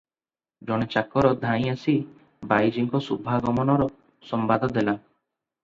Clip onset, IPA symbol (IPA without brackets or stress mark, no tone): d͡ʒ